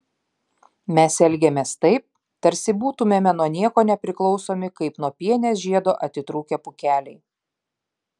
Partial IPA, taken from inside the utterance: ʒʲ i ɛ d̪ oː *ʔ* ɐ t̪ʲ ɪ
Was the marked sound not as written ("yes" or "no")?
no